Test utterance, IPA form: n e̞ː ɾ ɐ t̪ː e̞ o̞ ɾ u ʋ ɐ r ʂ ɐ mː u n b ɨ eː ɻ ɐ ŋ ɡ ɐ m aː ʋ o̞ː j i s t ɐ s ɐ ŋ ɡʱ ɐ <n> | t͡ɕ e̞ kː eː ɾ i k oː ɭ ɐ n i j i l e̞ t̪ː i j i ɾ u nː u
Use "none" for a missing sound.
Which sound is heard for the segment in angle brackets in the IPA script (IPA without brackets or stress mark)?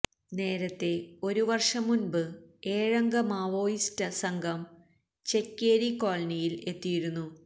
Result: m